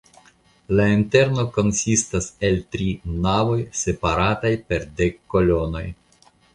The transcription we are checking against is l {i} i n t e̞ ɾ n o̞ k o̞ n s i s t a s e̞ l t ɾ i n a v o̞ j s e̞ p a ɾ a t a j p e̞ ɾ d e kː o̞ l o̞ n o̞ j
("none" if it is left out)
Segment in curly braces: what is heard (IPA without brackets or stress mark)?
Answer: a